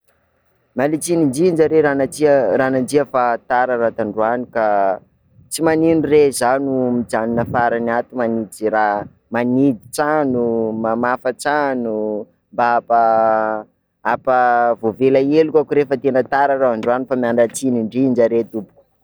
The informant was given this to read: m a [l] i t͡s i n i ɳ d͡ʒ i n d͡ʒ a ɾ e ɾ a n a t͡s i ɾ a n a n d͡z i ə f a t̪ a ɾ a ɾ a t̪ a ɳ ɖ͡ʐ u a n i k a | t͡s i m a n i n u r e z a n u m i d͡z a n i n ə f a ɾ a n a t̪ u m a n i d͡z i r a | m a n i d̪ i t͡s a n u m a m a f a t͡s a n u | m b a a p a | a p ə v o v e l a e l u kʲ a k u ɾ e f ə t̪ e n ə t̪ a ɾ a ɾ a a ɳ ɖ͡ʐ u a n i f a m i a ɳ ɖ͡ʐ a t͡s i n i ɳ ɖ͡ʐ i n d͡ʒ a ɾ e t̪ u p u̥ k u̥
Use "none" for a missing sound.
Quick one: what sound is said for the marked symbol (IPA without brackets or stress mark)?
l